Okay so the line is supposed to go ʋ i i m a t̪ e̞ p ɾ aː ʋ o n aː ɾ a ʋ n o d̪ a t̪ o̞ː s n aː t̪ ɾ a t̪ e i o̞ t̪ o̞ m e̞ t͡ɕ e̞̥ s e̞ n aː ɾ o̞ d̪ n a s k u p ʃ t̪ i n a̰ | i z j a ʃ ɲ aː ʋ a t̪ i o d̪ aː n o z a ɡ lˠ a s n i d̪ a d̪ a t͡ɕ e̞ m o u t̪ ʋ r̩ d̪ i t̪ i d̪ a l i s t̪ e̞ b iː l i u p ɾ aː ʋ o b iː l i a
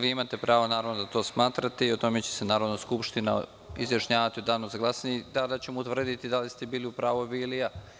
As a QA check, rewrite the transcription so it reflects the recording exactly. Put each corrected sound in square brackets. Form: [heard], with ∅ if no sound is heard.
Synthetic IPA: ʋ i i m a t̪ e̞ p ɾ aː ʋ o n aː ɾ a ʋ n o d̪ a t̪ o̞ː s [m] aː t̪ ɾ a t̪ e i o̞ t̪ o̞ m e̞ t͡ɕ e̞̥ s e̞ n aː ɾ o̞ d̪ n a s k u p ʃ t̪ i n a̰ | i z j a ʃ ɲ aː ʋ a t̪ i o d̪ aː n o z a ɡ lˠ a s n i d̪ a d̪ a t͡ɕ e̞ m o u t̪ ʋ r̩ d̪ i t̪ i d̪ a l i s t̪ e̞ b iː l i u p ɾ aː ʋ o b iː l i a

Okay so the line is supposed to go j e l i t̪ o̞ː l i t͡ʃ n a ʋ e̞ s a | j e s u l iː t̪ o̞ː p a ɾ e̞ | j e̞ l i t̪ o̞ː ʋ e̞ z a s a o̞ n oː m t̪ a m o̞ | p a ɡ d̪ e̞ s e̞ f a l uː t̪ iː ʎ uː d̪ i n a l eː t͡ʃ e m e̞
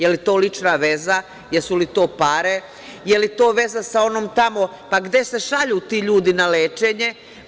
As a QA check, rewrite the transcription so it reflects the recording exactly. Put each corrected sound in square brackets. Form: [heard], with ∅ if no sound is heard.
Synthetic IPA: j e l i t̪ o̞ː l i t͡ʃ n a ʋ e̞ [z] a | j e s u l [i] t̪ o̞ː p a ɾ e̞ | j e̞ l i t̪ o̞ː ʋ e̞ z a s a o̞ n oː m t̪ a m o̞ | p a ɡ d̪ e̞ s e̞ [ʃ] a [ʎ] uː t̪ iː ʎ uː d̪ i n a l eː t͡ʃ e [ɲ] e̞

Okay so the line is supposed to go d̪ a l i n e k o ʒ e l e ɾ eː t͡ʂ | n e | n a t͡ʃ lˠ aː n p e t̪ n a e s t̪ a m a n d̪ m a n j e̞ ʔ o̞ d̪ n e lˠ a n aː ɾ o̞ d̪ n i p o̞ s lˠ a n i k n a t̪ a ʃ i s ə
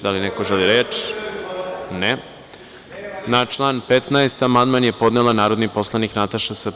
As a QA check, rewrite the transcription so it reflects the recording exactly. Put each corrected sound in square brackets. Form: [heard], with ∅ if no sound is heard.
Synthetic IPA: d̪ a l i n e k o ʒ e l [i] ɾ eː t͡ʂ | n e | n a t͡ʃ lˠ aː n p e t̪ n a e s t̪ a m a n d̪ m a n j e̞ [p] o̞ d̪ n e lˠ a n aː ɾ o̞ d̪ n i p o̞ s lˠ a n i k n a t̪ a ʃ [a] s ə

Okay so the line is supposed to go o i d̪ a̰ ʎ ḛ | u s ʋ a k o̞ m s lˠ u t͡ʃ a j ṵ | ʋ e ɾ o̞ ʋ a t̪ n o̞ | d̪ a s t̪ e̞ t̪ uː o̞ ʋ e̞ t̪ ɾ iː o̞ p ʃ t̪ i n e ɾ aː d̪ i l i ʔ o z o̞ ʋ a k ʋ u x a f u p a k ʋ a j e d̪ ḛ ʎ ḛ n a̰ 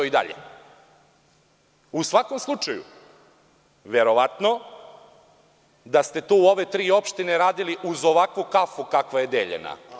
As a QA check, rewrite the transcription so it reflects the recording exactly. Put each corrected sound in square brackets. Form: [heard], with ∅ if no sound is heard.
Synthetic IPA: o i d̪ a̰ ʎ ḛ | u s ʋ a k o̞ m s lˠ u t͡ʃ a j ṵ | ʋ e ɾ o̞ ʋ a t̪ n o̞ | d̪ a s t̪ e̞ t̪ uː o̞ ʋ e̞ t̪ ɾ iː o̞ p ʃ t̪ i n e ɾ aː d̪ i l i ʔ [u] z o̞ ʋ a k ʋ u [k] a f u [k] a k ʋ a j e d̪ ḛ ʎ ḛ n a̰

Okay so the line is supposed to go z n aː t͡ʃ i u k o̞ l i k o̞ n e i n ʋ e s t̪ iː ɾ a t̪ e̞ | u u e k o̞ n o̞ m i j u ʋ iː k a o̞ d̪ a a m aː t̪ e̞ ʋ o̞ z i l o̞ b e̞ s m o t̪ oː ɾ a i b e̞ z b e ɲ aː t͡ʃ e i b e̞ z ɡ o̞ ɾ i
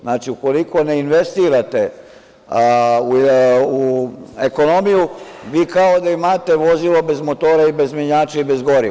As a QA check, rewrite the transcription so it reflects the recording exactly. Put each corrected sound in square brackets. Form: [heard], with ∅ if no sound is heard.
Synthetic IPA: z n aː t͡ʃ i u k o̞ l i k o̞ n e i n ʋ e s t̪ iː ɾ a t̪ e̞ | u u e k o̞ n o̞ m i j u ʋ iː k a o̞ d̪ a [i] m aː t̪ e̞ ʋ o̞ z i l o̞ b e̞ [z] m o t̪ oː ɾ a i b e̞ z [m] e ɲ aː t͡ʃ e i b e̞ z ɡ o̞ ɾ i

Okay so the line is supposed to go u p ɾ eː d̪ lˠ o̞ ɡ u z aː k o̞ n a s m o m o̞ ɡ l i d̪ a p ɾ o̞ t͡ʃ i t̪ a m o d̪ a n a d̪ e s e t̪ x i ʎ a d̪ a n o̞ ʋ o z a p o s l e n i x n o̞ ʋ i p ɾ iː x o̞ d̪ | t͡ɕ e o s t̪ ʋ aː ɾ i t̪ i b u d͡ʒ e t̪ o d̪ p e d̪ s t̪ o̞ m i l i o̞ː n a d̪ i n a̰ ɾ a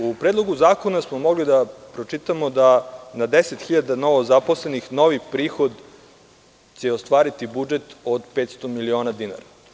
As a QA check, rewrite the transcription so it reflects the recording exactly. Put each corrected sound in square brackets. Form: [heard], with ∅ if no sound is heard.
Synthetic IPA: u p ɾ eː d̪ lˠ o̞ ɡ u z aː k o̞ n a s m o m o̞ ɡ l i d̪ a p ɾ o̞ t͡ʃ i t̪ a m o d̪ a n a d̪ e s e t̪ x i ʎ a d̪ a n o̞ ʋ o z a p o s l e n i x n o̞ ʋ i p ɾ iː x o̞ d̪ | t͡ɕ e o s t̪ ʋ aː ɾ i t̪ i b u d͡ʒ e t̪ o d̪ p e [t̪] s t̪ o̞ m i l i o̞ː n a d̪ i n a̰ ɾ a

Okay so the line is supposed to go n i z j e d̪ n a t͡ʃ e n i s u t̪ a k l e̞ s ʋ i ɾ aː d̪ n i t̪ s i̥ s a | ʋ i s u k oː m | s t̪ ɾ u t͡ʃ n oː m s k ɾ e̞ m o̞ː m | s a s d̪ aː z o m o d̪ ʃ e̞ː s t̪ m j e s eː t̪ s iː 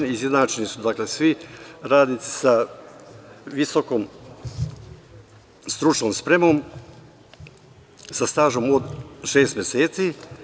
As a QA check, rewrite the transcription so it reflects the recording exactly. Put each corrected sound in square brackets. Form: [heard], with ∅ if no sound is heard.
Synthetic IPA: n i z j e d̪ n a t͡ʃ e n i s u [d̪] a k l e̞ s ʋ i ɾ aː d̪ n i t̪ s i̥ s a | ʋ i s [o] k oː m | s t̪ ɾ u t͡ʃ n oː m s [p] ɾ e̞ m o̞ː m | s a s [t̪] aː [ʒ] o m o d̪ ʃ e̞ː s t̪ m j e s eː t̪ s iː

